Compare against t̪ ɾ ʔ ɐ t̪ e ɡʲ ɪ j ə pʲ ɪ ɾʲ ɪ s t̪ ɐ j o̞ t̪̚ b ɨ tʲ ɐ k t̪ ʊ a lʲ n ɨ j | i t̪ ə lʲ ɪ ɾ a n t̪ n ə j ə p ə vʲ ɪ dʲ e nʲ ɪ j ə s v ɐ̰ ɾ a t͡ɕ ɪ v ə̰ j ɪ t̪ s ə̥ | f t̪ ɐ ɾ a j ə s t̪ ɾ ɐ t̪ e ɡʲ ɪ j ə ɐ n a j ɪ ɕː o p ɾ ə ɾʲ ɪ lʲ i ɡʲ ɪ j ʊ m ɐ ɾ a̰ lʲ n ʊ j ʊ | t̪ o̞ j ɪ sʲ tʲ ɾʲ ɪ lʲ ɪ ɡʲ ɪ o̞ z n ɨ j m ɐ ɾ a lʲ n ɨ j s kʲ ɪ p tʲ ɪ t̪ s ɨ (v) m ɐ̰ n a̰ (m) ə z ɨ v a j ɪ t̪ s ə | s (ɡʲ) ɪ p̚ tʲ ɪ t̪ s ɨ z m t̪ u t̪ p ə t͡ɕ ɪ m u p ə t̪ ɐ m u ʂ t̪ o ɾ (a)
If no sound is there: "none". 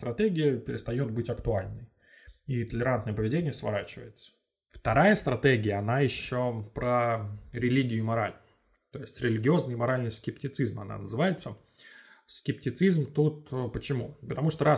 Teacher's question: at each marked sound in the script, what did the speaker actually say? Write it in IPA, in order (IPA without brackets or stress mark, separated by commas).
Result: z, n, kʲ, a